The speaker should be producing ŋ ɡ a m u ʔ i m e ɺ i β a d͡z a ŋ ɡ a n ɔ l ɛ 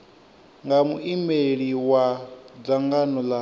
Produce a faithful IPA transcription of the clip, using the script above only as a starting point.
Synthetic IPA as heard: ŋ ɡ a m u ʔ i m e ɺ i w a d͡z a ŋ ɡ a n ɔ l a